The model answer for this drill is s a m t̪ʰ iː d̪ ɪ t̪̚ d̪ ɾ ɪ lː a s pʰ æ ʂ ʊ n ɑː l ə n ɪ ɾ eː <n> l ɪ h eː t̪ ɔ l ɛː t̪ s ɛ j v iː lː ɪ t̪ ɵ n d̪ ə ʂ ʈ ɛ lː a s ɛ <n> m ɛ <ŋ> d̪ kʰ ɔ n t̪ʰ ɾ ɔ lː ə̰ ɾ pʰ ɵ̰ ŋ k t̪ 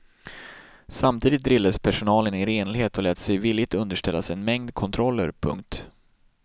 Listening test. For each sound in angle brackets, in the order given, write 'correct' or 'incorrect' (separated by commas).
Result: correct, correct, correct